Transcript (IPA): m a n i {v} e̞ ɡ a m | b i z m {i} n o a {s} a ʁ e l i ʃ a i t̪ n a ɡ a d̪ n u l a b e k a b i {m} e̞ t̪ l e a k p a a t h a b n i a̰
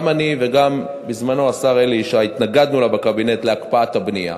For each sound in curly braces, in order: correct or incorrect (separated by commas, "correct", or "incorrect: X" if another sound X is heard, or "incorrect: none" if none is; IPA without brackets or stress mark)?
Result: correct, incorrect: a, correct, incorrect: n